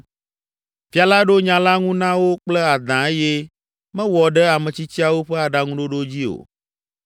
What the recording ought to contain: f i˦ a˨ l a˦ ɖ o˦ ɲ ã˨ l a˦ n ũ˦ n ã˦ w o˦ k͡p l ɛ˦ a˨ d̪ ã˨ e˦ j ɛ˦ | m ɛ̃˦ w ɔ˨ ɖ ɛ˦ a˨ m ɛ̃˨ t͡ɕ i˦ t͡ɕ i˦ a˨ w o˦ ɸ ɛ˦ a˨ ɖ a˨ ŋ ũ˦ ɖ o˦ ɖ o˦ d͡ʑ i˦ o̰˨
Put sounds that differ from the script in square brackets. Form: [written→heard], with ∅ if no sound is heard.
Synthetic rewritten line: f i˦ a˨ l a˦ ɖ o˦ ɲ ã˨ l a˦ [n→ŋ] ũ˦ n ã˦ w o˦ k͡p l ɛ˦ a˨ d̪ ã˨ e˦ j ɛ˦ | m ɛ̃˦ w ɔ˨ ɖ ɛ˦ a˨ m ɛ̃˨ t͡ɕ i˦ t͡ɕ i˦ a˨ w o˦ ɸ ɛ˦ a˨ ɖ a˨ ŋ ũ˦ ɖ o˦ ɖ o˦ d͡ʑ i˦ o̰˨